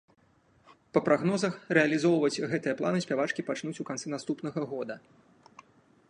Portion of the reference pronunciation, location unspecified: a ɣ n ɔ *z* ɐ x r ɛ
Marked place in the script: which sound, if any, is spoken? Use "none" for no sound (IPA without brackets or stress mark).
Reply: z